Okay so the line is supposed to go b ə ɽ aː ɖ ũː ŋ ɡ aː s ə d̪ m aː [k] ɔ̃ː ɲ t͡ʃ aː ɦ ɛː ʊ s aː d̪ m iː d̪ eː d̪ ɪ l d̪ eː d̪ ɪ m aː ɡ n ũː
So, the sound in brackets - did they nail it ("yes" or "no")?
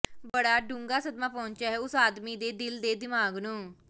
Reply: no